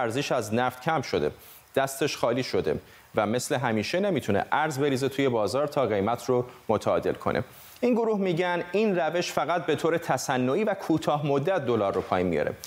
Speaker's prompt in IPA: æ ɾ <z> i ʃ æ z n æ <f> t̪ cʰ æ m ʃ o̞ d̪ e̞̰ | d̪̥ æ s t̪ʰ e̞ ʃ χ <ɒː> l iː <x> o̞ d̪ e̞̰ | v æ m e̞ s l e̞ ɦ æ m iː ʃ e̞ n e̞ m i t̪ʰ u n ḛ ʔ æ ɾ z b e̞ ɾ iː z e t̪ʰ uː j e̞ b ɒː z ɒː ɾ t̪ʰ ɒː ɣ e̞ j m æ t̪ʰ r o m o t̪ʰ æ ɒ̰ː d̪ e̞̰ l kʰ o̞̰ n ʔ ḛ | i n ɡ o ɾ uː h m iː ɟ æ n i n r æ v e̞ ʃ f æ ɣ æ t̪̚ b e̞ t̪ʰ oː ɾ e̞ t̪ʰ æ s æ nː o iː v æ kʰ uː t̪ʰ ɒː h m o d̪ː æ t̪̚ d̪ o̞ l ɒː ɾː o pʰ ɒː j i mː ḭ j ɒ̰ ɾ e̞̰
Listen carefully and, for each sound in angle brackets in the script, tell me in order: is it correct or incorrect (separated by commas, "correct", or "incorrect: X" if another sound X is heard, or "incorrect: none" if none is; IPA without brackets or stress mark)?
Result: correct, correct, correct, incorrect: ʃ